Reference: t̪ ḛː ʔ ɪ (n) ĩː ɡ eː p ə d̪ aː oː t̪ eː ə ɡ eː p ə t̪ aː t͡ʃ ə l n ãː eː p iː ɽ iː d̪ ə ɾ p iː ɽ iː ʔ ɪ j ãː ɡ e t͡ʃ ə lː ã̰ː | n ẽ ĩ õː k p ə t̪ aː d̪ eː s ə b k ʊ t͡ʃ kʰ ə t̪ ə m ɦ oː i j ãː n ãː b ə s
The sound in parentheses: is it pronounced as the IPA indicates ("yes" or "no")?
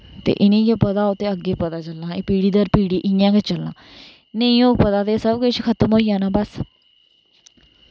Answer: yes